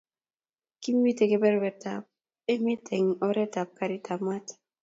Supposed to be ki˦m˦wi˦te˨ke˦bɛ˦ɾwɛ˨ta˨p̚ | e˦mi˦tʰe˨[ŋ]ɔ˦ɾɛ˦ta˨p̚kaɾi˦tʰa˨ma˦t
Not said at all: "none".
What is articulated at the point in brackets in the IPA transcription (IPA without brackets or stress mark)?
ŋ